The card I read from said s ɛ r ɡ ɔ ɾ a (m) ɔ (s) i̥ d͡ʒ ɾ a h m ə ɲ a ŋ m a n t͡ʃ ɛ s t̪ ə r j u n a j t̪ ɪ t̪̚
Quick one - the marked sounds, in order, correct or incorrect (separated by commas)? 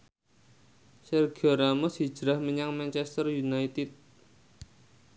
correct, correct